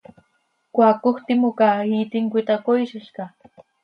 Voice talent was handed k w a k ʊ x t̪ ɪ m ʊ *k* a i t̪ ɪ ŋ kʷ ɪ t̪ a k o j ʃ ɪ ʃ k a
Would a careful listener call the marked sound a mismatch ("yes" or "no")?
no